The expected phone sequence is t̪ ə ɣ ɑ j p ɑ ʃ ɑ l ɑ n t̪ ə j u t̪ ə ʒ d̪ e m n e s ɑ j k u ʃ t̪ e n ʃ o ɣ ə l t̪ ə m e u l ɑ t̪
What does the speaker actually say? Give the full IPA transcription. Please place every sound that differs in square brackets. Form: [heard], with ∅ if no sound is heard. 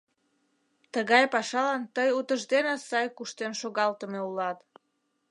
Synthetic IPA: t̪ ə ɣ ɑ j p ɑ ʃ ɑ l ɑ n t̪ ə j u t̪ ə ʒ d̪ e [∅] n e s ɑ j k u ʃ t̪ e n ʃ o ɣ [ɑ] l t̪ ə m e u l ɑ t̪